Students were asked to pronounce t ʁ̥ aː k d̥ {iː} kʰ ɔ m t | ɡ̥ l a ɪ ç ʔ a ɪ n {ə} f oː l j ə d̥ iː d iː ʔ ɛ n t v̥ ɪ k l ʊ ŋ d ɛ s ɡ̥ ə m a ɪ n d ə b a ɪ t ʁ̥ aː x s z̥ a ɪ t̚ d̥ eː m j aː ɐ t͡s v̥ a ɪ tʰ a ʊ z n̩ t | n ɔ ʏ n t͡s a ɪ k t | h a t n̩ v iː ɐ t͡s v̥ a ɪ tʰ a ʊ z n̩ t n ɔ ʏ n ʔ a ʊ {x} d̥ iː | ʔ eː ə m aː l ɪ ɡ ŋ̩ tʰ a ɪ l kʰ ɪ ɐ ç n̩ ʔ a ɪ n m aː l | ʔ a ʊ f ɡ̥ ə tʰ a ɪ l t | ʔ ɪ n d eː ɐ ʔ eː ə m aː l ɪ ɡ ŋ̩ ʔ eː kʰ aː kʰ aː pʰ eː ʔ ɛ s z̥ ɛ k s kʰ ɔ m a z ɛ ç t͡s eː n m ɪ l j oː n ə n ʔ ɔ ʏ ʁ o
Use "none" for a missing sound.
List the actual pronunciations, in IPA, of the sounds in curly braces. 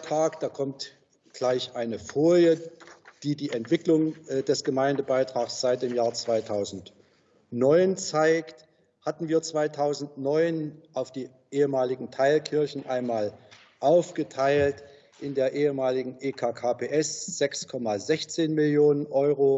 aː, ə, f

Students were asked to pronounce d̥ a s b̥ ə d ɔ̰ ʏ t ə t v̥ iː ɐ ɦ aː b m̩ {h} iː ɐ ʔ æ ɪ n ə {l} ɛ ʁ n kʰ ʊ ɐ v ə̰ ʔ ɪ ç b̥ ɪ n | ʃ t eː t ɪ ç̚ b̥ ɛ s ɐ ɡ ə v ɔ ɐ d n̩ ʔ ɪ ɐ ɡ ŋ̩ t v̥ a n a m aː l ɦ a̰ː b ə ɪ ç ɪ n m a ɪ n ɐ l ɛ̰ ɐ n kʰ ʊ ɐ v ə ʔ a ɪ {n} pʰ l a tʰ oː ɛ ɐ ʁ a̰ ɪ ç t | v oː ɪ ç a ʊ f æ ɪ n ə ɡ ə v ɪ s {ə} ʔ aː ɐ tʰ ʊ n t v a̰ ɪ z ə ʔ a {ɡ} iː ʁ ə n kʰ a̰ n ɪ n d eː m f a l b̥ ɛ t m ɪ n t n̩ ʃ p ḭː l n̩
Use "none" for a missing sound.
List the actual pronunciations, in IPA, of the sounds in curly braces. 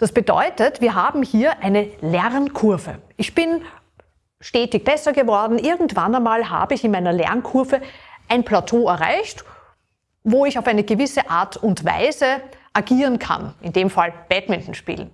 h, l, n, ə, ɡ

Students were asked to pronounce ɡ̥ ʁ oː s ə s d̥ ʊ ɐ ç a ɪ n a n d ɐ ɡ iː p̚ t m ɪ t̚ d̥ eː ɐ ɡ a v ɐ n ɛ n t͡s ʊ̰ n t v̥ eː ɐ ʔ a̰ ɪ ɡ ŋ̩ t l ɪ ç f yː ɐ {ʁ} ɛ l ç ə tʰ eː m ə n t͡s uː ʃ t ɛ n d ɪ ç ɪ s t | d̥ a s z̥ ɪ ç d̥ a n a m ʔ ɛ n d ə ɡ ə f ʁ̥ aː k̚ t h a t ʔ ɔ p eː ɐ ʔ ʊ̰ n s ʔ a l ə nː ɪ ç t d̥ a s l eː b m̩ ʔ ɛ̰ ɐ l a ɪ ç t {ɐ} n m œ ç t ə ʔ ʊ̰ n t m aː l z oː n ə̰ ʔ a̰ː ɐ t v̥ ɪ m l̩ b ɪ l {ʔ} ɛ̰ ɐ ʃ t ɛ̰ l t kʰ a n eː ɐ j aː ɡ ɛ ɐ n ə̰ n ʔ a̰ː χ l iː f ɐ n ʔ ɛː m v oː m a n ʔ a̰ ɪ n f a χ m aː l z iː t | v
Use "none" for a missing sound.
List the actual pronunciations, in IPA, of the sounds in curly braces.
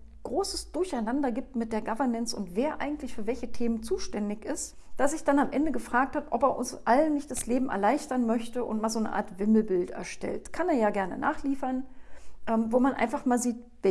v, ɐ, t

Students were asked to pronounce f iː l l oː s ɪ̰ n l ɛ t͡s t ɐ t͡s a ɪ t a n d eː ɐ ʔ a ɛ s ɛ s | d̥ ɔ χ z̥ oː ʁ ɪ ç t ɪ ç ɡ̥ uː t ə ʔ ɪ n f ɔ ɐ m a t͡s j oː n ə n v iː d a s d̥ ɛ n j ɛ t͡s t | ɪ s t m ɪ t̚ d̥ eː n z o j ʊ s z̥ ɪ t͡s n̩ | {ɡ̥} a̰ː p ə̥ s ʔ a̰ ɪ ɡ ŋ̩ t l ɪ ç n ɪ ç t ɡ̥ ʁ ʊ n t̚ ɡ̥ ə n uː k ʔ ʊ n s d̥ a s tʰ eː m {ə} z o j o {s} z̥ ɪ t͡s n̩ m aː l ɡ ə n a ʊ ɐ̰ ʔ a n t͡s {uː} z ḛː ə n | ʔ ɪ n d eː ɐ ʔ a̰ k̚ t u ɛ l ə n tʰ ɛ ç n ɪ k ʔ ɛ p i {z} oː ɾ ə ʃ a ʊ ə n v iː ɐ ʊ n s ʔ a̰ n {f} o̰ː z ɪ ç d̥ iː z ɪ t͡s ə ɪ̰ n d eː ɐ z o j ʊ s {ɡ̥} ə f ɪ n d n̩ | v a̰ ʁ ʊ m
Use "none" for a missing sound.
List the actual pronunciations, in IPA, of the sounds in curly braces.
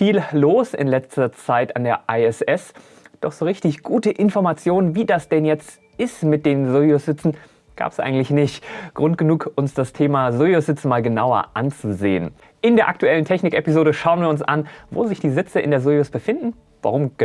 ɡ̥, a, s, u, z, v, b̥

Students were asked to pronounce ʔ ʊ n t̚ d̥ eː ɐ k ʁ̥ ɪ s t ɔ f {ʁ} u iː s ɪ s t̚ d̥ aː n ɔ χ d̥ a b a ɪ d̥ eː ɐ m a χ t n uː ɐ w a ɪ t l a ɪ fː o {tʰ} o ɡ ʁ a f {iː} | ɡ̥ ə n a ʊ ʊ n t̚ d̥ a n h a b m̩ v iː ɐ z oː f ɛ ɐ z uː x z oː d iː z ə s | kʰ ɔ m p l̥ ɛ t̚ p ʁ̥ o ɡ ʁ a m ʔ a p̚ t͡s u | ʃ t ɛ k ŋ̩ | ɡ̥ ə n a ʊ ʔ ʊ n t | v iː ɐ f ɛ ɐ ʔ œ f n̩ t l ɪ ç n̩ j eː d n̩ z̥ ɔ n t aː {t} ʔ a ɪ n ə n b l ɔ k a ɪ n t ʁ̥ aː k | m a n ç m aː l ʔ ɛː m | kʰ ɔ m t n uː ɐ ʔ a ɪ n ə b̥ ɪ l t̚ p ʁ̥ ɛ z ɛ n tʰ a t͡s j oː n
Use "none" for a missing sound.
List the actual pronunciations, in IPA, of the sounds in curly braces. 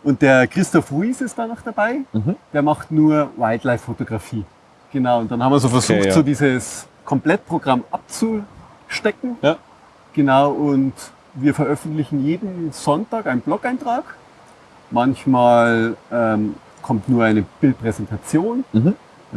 ʁ, t, iː, k

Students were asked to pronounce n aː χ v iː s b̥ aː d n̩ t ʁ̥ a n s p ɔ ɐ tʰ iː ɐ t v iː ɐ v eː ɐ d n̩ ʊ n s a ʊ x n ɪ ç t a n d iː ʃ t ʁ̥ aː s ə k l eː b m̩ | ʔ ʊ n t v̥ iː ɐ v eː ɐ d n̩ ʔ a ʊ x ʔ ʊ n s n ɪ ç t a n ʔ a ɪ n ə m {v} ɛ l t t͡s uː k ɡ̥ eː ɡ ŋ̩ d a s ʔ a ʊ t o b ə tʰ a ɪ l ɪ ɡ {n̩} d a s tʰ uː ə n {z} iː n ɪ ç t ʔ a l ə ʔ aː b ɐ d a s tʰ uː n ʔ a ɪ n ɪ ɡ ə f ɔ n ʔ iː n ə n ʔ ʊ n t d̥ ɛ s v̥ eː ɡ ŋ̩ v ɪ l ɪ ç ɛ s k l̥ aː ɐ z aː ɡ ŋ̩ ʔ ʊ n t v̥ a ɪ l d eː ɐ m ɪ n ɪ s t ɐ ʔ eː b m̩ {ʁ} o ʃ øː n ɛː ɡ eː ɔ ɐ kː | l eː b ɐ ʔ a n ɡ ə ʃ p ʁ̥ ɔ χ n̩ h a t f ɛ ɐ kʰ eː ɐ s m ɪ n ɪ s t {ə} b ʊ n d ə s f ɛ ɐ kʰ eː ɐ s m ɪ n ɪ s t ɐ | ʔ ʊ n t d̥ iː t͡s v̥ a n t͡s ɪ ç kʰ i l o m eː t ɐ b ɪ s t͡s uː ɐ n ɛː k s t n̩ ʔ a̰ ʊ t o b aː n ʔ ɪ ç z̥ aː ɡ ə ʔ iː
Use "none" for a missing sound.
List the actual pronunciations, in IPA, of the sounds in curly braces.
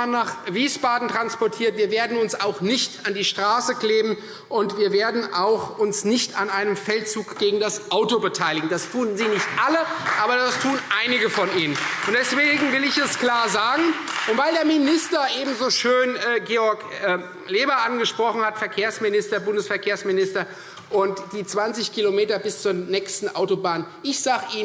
f, ŋ̩, z, z, ɐ

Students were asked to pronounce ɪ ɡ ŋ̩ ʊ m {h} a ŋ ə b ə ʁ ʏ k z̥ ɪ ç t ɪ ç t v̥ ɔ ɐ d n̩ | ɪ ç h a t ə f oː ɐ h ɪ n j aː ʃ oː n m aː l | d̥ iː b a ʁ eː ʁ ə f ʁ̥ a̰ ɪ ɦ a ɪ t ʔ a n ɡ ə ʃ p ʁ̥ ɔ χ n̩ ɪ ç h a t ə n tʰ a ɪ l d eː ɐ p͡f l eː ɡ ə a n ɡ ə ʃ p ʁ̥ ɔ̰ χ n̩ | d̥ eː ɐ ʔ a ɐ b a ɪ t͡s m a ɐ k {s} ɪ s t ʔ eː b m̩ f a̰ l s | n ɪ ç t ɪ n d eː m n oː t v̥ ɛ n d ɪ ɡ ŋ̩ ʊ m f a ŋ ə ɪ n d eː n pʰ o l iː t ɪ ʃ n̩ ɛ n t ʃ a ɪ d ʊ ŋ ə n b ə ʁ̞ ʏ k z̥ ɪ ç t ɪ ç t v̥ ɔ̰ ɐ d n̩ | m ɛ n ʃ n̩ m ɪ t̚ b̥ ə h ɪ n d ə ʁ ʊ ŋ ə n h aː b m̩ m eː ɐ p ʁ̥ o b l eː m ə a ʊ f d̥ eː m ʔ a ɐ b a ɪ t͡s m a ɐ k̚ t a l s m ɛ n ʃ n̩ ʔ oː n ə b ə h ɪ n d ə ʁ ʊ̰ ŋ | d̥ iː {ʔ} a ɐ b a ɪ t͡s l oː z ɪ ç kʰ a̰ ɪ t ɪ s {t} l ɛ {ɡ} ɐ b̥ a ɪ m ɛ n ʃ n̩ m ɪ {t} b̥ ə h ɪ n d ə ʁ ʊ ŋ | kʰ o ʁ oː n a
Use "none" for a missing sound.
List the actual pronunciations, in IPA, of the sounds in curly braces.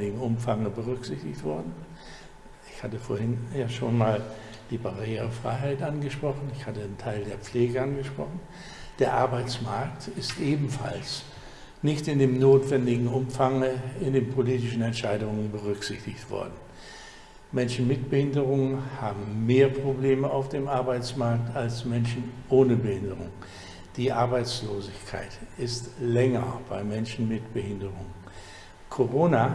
f, t, ʔ, t, ŋ, t

